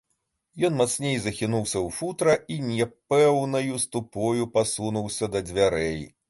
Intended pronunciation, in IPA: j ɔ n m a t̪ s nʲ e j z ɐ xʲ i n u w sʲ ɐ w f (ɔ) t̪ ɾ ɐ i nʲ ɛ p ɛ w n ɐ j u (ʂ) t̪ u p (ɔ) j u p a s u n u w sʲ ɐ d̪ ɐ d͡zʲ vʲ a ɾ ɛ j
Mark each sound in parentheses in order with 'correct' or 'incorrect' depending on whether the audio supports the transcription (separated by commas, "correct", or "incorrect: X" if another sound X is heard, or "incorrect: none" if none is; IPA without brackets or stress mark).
incorrect: u, incorrect: s, correct